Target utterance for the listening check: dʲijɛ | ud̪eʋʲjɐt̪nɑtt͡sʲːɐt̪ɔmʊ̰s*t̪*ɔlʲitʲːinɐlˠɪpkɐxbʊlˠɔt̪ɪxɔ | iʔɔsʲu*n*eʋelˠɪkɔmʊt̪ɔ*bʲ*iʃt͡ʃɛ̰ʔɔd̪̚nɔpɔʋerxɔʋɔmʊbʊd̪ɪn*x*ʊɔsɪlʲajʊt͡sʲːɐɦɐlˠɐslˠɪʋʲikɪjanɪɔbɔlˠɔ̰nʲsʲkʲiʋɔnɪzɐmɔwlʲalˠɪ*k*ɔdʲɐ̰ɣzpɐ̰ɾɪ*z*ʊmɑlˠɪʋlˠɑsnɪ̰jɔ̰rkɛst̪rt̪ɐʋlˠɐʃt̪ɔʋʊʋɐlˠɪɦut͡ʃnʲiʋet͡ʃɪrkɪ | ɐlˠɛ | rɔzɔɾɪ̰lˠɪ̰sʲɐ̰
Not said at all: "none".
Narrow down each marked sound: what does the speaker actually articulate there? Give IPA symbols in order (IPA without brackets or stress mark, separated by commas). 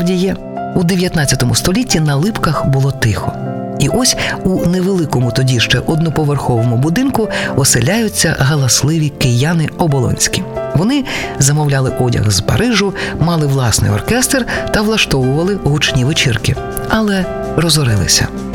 t̪, n, dʲ, k, ʔ, ʒ